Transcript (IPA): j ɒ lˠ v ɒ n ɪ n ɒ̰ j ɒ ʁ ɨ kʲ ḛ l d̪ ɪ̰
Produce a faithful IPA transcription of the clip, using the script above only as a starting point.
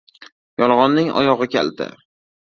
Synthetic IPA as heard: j ɒ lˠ ʁ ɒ nː ɪ ŋ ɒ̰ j ɒ ʁ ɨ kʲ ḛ l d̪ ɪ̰